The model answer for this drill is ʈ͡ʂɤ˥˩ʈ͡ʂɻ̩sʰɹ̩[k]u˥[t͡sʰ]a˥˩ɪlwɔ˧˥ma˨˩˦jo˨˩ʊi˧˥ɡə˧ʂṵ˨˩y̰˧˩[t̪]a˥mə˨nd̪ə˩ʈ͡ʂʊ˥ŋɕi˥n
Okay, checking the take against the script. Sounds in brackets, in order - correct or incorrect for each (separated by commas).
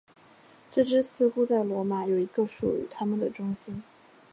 incorrect, incorrect, incorrect